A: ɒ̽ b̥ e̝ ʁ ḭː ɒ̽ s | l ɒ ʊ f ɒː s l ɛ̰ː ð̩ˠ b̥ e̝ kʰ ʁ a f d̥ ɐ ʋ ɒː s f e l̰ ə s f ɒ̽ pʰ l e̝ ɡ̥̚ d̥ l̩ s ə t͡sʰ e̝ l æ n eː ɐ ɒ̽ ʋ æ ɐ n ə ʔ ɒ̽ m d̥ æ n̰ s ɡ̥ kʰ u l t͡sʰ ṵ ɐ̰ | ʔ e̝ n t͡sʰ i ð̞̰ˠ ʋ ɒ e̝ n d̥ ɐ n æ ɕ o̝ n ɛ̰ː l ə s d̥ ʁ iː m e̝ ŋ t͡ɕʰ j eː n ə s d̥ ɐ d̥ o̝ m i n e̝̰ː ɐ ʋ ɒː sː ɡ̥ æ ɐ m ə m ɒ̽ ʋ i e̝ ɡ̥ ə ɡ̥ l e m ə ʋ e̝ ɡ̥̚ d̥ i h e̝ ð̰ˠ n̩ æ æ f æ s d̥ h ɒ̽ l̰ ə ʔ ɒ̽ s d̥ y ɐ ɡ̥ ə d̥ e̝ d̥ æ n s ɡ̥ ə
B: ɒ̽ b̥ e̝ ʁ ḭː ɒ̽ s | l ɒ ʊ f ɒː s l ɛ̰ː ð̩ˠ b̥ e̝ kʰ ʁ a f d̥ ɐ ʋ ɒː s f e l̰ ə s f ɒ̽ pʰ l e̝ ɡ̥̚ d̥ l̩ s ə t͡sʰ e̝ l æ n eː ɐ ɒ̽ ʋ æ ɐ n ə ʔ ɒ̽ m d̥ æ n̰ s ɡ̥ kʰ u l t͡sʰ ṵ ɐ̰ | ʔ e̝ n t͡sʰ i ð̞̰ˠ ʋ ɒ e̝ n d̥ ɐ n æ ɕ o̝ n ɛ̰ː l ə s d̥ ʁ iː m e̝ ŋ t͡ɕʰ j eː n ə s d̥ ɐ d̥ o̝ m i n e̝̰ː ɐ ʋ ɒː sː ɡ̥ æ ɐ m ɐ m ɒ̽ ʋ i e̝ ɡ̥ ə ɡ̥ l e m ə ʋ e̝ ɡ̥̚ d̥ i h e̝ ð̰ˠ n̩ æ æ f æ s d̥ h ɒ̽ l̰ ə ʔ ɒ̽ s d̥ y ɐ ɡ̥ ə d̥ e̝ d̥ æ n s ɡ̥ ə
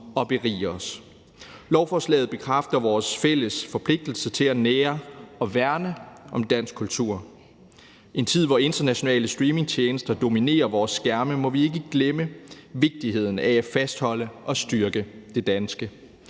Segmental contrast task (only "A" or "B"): A